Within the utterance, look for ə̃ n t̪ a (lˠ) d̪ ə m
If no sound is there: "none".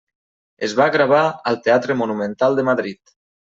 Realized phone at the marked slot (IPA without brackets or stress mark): lˠ